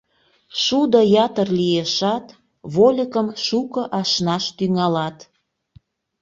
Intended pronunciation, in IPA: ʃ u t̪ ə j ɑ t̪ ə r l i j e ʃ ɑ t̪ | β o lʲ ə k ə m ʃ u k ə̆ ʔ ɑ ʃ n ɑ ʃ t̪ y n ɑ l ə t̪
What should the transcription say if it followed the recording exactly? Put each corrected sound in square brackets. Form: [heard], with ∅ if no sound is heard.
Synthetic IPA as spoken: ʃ u [d̪] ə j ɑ t̪ ə r l i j e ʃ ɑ t̪ | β o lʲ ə k ə m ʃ u k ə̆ ʔ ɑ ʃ n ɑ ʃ t̪ y [ŋ] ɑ l [ɑ] t̪